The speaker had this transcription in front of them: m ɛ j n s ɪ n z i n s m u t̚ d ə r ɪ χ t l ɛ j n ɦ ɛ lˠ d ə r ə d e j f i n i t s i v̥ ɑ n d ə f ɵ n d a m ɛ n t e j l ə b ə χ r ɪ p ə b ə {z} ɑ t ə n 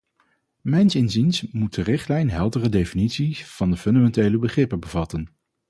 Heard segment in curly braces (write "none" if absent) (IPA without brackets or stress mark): v